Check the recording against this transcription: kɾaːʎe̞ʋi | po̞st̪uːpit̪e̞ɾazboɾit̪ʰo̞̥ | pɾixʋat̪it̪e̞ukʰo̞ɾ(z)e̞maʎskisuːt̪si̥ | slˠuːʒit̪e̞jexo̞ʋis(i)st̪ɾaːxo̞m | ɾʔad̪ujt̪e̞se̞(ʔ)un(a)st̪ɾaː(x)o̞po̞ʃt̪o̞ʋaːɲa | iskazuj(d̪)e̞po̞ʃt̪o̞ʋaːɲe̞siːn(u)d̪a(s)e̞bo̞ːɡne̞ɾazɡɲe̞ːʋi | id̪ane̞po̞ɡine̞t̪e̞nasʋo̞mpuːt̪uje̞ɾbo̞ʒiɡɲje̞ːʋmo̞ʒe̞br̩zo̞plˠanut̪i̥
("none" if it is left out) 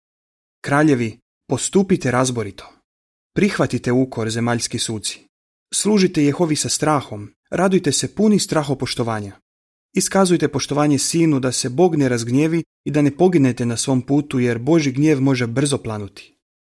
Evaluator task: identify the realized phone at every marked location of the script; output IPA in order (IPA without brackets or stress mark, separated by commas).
z, a, p, i, x, t̪, u, s